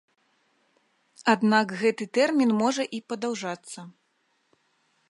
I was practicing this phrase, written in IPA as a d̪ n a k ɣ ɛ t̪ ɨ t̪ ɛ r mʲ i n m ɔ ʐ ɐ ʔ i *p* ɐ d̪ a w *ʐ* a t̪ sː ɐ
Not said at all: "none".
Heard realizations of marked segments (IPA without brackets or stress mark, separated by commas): p, ʐ